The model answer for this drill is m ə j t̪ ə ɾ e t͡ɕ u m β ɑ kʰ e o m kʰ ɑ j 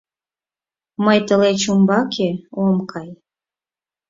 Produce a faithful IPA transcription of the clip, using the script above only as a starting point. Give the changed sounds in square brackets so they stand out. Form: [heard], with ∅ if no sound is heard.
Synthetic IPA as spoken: m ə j t̪ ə [l] e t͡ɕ u m [b] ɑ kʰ e o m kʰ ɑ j